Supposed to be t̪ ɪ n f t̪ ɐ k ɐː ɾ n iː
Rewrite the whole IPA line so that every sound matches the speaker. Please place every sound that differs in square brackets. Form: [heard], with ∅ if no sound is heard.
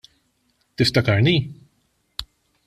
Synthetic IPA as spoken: t̪ ɪ [∅] f t̪ ɐ k [ɐ] ɾ n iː